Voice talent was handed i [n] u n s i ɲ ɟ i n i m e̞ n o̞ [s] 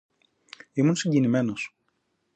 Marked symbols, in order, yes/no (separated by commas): no, yes